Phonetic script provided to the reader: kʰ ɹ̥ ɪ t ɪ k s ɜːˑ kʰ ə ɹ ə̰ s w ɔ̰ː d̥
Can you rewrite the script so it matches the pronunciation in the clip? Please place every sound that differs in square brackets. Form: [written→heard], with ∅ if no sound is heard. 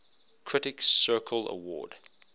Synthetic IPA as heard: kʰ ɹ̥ ɪ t ɪ k s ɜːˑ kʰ ə [ɹ→l] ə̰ [s→∅] w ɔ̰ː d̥